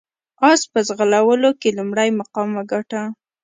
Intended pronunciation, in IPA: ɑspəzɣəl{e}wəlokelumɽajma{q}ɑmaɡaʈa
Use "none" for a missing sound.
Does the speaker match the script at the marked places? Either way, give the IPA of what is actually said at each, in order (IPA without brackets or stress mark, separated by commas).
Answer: a, q